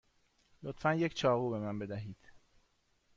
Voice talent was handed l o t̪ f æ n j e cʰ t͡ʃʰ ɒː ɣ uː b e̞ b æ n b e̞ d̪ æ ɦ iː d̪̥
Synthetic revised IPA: l o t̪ f æ n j e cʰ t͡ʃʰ ɒː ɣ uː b e̞ m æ n b e̞ d̪ æ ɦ iː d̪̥